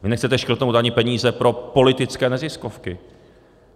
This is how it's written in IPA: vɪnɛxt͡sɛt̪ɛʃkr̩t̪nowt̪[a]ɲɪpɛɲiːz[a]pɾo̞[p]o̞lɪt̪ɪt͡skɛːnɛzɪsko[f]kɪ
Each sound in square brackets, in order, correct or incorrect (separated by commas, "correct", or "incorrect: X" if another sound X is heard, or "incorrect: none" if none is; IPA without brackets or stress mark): correct, incorrect: ɛ, correct, correct